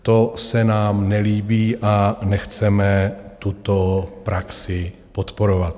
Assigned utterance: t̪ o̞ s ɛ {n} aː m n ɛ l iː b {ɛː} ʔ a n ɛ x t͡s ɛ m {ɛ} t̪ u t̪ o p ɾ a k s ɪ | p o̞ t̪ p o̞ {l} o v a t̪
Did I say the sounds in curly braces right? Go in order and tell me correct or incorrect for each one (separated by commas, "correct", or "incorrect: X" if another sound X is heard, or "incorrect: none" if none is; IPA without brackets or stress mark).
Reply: correct, incorrect: iː, correct, incorrect: ɾ